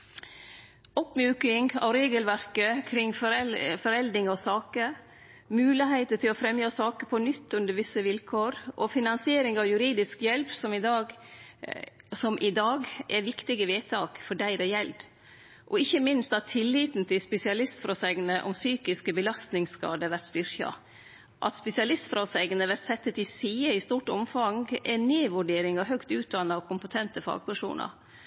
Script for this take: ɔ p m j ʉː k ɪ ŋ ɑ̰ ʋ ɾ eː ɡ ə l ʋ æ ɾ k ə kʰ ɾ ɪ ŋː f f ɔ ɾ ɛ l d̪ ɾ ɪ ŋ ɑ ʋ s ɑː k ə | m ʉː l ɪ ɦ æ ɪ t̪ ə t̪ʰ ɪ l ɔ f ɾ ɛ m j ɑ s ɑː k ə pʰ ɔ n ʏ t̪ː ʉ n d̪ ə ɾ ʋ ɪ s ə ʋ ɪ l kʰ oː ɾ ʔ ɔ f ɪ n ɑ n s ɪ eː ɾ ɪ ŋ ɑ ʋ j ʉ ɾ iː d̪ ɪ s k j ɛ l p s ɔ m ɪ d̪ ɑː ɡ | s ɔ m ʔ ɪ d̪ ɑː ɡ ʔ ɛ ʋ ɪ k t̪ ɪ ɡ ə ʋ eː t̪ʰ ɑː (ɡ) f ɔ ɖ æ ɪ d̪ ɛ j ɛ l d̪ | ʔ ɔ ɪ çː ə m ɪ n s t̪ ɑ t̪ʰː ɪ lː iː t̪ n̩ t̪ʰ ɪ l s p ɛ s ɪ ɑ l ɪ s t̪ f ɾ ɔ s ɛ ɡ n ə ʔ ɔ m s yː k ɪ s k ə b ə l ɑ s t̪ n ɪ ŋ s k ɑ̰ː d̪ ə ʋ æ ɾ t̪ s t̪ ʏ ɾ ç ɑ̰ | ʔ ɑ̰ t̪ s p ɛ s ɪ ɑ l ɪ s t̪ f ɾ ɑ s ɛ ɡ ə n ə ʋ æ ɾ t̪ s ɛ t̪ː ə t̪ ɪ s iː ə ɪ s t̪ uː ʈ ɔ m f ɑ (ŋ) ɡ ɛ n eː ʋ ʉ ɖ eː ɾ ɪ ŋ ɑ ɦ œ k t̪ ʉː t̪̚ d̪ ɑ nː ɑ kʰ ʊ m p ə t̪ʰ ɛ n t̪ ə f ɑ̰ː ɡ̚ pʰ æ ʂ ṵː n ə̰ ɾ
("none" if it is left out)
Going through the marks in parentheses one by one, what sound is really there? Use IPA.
k, ŋ

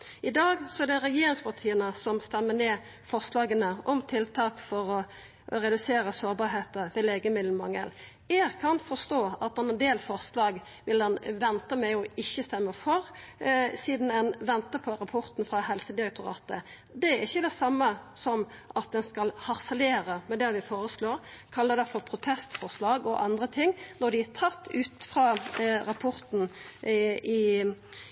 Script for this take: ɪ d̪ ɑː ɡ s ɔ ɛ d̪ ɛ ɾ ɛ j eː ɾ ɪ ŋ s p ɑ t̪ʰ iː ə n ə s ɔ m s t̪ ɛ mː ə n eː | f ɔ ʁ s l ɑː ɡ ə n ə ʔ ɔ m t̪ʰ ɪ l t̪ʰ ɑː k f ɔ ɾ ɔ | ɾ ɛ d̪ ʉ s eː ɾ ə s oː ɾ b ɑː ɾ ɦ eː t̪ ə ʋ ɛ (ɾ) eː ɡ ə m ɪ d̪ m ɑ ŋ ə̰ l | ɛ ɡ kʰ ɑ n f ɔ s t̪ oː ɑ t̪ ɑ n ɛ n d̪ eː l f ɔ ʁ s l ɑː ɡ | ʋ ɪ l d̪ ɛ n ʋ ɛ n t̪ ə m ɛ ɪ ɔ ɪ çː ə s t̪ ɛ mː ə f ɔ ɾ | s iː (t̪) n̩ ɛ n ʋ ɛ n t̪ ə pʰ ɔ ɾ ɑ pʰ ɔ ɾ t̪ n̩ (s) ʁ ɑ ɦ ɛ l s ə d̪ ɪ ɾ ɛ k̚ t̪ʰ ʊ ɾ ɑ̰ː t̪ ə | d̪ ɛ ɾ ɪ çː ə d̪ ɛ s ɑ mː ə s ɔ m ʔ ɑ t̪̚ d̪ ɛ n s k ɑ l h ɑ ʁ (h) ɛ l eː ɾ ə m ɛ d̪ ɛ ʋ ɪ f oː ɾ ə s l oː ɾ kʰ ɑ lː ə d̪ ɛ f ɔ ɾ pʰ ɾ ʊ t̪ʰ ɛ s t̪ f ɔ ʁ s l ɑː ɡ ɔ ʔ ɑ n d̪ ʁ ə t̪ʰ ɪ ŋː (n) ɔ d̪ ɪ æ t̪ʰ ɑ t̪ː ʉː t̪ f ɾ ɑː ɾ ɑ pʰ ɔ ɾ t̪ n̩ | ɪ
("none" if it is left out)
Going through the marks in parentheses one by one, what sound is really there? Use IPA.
l, d̪, f, s, n

